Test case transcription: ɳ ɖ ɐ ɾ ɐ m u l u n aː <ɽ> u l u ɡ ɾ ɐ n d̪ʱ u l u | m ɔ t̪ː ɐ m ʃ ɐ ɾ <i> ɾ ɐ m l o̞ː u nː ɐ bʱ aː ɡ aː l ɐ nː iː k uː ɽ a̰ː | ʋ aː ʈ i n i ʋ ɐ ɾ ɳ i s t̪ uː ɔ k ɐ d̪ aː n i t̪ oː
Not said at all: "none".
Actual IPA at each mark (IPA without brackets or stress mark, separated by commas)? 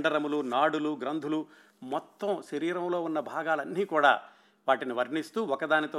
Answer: ɽ, iː